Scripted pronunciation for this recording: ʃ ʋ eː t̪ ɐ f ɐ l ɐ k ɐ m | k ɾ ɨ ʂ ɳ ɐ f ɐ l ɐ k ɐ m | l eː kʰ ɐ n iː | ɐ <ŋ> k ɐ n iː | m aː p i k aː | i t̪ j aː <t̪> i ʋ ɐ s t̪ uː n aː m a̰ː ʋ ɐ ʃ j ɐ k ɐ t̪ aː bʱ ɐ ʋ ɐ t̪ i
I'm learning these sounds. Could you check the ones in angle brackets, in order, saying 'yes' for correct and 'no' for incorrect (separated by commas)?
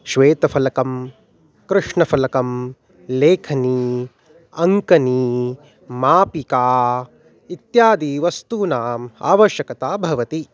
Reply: yes, no